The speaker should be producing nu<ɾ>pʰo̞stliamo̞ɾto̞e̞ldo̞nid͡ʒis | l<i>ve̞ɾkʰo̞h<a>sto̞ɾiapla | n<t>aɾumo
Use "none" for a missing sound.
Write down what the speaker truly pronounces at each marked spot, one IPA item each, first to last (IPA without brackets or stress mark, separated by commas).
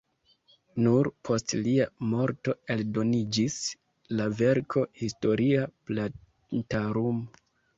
ɾ, a, i, t